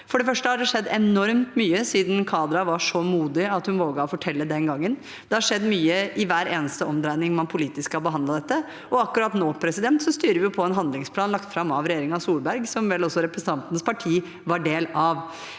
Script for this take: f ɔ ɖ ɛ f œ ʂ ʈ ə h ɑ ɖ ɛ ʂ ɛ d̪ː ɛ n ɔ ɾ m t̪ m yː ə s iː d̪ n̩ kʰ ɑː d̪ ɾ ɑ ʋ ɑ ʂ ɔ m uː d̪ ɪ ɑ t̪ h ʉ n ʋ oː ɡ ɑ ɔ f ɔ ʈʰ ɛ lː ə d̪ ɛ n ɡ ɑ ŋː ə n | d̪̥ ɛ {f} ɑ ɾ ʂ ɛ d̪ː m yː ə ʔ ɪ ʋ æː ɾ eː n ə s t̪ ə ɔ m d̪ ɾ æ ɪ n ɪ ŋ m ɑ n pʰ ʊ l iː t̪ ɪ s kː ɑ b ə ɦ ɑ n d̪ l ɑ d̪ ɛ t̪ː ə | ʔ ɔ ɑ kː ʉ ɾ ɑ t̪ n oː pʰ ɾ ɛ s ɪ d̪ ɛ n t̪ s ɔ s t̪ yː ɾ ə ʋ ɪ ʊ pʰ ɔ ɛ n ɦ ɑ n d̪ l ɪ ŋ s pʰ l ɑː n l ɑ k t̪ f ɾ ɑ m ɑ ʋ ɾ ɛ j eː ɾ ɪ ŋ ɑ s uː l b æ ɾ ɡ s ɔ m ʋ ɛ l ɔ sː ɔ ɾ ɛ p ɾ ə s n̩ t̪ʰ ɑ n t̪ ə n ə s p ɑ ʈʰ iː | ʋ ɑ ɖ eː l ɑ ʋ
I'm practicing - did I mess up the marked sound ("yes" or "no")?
yes